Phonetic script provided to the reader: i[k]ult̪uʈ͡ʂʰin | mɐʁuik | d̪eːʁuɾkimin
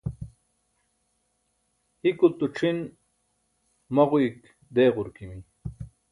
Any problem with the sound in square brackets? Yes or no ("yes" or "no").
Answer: no